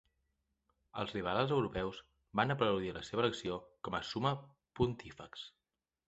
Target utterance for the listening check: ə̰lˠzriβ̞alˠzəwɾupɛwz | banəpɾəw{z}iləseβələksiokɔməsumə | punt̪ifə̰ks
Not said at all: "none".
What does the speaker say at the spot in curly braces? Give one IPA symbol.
ð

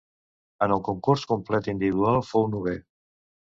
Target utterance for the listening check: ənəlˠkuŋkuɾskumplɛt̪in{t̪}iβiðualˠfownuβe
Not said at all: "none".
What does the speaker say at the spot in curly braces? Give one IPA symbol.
d̪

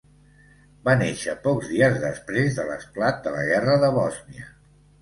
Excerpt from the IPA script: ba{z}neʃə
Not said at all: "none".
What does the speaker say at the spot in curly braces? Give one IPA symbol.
none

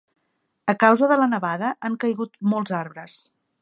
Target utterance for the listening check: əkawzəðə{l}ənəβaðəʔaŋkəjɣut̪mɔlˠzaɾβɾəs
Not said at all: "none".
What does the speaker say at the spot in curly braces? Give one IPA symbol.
l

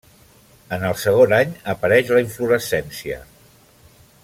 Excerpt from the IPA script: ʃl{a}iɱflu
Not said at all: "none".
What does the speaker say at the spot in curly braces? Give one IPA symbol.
ə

